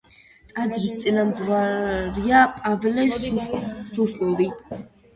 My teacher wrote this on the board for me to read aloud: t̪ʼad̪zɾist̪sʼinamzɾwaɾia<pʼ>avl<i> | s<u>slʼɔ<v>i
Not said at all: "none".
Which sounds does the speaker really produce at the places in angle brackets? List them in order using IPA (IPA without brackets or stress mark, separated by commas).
pʼ, ɛ, u, v